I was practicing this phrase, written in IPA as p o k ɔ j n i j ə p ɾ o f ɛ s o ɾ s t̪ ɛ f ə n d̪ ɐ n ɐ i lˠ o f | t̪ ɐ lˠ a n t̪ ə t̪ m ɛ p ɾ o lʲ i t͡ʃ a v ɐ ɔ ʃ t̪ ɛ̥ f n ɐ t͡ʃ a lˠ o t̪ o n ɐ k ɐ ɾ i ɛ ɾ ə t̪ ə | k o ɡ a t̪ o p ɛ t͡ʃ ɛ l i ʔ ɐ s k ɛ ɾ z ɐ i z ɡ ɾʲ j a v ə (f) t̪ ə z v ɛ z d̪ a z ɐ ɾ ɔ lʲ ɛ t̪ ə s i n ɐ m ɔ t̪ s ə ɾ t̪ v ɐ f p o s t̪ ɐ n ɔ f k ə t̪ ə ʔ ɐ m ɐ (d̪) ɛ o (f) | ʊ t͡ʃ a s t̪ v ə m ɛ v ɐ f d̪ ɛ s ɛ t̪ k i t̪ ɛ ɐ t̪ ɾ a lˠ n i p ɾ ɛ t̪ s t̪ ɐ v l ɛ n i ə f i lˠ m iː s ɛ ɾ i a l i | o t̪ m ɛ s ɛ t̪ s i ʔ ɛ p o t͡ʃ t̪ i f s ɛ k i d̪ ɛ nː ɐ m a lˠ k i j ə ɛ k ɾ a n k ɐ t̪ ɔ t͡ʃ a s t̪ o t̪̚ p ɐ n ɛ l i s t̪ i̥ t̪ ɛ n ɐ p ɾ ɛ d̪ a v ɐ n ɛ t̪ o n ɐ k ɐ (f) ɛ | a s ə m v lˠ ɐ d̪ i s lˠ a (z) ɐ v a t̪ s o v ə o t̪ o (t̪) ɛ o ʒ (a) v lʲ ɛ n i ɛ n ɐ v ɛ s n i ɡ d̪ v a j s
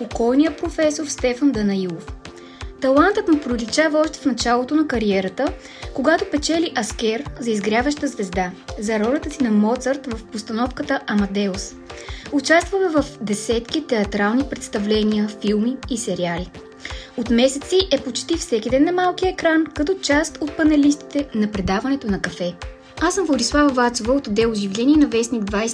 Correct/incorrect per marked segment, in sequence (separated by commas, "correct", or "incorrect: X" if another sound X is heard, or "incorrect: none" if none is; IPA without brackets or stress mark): incorrect: ʃ, correct, incorrect: s, correct, incorrect: v, incorrect: d̪, incorrect: i